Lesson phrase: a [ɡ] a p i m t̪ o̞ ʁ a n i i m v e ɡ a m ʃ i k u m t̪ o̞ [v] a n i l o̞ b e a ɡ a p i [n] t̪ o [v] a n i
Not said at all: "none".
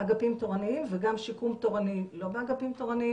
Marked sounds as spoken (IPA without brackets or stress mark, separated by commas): ɡ, ʁ, m, ʁ